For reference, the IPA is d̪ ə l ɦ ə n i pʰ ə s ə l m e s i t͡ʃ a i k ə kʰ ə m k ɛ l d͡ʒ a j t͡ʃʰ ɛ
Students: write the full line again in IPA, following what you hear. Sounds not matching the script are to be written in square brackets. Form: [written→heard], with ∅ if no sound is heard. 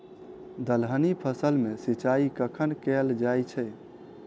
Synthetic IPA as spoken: d̪ ə l ɦ ə n i pʰ ə s ə l m e s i t͡ʃ a i k ə kʰ ə [m→n] k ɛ l d͡ʒ a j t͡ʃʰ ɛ